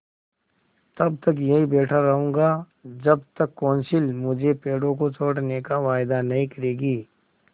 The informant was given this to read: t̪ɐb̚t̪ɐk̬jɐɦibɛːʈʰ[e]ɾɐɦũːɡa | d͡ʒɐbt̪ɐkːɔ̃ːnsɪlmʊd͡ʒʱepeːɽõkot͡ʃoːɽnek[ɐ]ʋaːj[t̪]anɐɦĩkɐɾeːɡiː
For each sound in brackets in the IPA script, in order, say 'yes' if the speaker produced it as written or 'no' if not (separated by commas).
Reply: no, no, no